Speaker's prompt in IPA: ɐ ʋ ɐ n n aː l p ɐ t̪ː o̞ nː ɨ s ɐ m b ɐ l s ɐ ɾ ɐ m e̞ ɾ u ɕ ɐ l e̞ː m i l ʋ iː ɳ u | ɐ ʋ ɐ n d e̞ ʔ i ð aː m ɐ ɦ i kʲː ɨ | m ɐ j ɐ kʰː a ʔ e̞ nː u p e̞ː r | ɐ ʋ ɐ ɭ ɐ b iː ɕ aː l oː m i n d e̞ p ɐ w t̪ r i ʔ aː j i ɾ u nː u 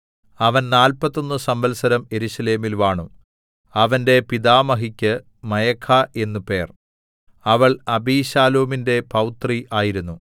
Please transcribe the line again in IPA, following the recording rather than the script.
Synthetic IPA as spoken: ɐ ʋ ɐ n n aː l p ɐ t̪ː o̞ nː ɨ s ɐ m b ɐ l s ɐ ɾ ɐ m e̞ ɾ u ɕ ɐ l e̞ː m i l ʋ aː ɳ u | ɐ ʋ ɐ n d e̞ p i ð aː m ɐ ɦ i kʲː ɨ | m ɐ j ɐ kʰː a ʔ e̞ nː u p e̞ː r | ɐ ʋ ɐ ɭ ɐ b iː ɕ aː l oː m i n d e̞ p ɐ w t̪ r i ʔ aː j i ɾ u nː u